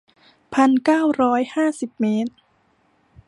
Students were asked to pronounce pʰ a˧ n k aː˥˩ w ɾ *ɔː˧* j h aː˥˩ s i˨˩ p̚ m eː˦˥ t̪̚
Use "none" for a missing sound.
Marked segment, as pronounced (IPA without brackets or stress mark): ɔː˦˥